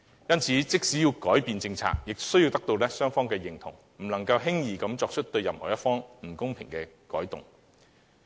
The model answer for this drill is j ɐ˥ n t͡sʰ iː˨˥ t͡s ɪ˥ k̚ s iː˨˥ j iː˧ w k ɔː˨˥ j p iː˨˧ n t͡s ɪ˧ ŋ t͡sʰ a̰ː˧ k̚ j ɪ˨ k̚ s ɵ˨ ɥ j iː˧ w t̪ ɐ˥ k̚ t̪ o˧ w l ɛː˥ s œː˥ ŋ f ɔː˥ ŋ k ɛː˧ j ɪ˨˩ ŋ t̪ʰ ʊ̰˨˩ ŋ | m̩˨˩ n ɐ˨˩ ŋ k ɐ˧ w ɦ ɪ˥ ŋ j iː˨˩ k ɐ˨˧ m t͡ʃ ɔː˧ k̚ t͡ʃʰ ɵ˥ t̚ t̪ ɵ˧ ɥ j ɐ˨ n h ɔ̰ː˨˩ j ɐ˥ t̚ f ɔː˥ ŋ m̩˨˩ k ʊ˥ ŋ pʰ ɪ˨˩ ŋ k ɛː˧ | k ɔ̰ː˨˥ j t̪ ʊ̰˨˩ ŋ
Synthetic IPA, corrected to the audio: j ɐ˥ n t͡sʰ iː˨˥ t͡s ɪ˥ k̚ s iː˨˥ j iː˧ w k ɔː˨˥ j p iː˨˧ n t͡s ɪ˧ ŋ t͡sʰ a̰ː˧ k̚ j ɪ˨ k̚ s ɵ˥ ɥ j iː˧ w t̪ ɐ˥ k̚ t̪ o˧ w l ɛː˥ s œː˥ ŋ f ɔː˥ ŋ k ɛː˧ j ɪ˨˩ ŋ t̪ʰ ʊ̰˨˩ ŋ | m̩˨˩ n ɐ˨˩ ŋ k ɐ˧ w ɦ ɪ˥ ŋ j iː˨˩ k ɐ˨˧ m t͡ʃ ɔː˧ k̚ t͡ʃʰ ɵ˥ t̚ t̪ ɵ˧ ɥ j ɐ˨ m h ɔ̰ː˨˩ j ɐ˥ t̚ f ɔː˥ ŋ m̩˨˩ k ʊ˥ ŋ pʰ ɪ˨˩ ŋ k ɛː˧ | k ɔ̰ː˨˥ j t̪ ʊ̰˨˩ ŋ